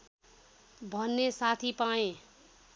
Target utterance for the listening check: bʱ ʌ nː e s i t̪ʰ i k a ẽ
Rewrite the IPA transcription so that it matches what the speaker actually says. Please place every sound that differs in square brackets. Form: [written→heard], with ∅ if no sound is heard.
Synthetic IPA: bʱ ʌ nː e s [i→a] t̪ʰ i [k→p] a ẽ